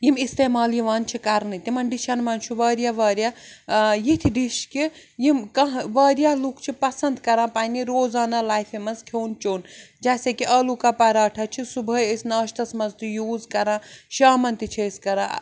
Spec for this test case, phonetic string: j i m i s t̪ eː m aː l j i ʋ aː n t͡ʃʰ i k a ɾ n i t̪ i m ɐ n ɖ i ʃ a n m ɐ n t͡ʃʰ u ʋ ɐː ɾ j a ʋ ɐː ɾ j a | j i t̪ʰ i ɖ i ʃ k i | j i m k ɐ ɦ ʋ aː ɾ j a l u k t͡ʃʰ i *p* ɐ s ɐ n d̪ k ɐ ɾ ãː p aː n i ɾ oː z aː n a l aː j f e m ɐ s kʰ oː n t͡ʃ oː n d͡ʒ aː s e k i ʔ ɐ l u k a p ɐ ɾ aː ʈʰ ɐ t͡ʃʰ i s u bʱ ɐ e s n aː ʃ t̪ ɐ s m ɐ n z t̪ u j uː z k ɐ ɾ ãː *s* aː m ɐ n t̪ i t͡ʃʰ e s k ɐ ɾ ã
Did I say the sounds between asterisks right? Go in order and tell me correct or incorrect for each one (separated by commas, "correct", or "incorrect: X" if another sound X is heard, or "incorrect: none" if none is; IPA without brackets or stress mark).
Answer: correct, incorrect: ʃ